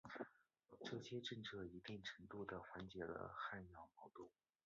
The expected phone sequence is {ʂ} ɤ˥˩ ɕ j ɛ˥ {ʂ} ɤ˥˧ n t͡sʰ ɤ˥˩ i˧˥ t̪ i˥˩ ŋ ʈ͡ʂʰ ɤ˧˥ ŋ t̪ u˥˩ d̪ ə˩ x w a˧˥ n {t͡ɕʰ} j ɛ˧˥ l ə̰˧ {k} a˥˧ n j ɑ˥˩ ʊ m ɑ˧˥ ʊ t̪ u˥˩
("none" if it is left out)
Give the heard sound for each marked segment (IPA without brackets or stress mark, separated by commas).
ʈ͡ʂ, ʈ͡ʂ, t͡ɕ, x